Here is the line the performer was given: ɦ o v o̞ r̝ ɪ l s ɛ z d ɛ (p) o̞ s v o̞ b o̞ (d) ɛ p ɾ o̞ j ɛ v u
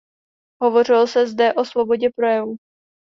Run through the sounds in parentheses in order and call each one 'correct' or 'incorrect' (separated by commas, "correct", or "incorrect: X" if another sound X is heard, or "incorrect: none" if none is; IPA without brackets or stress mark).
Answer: incorrect: ʔ, incorrect: ɟ